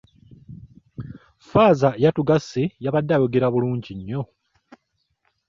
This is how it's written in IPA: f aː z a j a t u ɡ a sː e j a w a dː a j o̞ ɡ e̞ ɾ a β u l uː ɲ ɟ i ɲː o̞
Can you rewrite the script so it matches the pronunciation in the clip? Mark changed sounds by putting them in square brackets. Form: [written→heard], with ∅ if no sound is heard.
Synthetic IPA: f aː z a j a t u ɡ a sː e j a [w→β] a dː a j o̞ ɡ e̞ ɾ a β u l uː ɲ ɟ i ɲː o̞

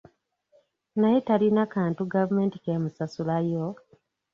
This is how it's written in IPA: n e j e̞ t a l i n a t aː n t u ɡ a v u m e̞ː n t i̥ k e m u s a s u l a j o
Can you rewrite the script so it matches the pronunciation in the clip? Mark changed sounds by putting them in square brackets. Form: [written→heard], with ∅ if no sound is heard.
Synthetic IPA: n [e→a] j e̞ t a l i n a [t→k] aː n t u ɡ a v u m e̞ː n t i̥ k e m u s a s u l a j o

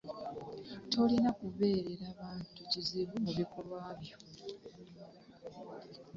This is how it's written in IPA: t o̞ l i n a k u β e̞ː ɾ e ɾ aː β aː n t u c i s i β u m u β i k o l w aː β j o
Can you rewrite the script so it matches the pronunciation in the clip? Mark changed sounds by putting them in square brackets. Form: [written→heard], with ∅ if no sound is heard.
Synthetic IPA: t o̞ l i n a k u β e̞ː ɾ e ɾ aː β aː n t u c i [s→z] i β u m u β i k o l w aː β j o

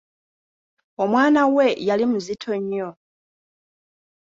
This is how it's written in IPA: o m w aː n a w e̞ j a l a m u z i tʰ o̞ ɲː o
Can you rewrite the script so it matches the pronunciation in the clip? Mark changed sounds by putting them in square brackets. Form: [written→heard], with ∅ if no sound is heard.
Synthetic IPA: o m w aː n a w e̞ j a l [a→i] m u z i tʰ o̞ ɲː o

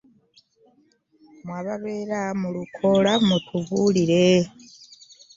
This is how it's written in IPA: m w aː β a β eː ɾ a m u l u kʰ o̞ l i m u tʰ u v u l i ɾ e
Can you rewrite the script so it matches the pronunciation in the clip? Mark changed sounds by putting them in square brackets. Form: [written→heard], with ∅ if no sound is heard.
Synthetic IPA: m w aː β a β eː ɾ a m u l u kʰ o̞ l [i→a] m u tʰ u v u l i ɾ e

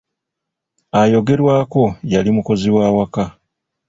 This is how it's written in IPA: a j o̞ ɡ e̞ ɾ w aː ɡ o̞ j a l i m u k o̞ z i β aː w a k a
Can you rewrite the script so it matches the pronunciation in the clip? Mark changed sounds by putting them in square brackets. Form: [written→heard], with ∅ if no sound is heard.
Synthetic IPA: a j o̞ ɡ e̞ ɾ w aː [ɡ→k] o̞ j a l i m u k o̞ z i [β→w] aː w a k a

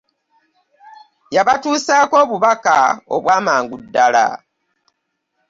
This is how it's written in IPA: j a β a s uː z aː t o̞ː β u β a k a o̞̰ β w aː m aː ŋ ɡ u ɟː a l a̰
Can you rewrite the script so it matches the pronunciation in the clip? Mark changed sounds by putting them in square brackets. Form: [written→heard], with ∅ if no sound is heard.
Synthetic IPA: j a β a [s→t] uː [z→s] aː [t→k] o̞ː β u β a k a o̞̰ β w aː m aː ŋ ɡ u [ɟː→dː] a l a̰

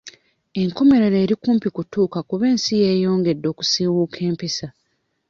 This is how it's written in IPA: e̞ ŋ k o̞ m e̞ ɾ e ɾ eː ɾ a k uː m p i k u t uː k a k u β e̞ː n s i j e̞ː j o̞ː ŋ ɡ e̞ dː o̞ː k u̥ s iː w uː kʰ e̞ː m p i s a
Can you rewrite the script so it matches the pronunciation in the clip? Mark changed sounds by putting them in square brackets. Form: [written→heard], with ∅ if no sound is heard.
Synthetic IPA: e̞ ŋ k o̞ m e̞ ɾ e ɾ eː ɾ [a→i] k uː m p i k u t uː k a k u β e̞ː n s i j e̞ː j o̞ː ŋ ɡ e̞ dː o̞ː k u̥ s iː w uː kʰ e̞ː m p i s a

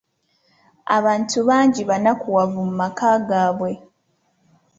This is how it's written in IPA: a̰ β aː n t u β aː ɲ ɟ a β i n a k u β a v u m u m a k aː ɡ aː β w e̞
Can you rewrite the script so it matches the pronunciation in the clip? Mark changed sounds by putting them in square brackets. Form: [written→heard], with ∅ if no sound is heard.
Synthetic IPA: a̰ β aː n t u β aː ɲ ɟ [a→i] β [i→a] n a k u [β→w] a v u m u m a k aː ɡ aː β w e̞

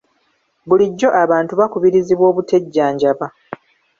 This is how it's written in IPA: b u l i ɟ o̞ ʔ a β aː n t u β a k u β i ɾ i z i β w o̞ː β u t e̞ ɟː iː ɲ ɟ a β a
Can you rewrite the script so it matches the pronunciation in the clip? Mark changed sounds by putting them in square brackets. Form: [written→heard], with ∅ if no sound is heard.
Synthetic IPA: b u l i [ɟ→ɟː] o̞ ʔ a β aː n t u β a k u β i ɾ i z i β w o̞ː β u t e̞ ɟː [iː→aː] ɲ ɟ a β a

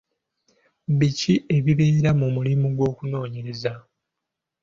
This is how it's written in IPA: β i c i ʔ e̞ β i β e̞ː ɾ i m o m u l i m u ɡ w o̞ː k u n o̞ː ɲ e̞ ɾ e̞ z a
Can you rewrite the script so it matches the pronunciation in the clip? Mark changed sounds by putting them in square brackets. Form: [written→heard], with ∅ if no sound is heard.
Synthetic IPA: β i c i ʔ e̞ β i β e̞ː ɾ [i→a] m [o→u] m u l i m u ɡ w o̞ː k u n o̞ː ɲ e̞ ɾ e̞ z a

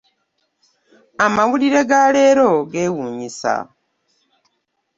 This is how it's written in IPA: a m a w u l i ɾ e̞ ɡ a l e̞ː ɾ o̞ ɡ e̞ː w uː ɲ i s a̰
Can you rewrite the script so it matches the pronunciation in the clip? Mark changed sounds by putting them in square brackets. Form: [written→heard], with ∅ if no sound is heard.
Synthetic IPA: a m a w u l i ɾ e̞ ɡ a l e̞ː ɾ o̞ ɡ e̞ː w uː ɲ i s a̰

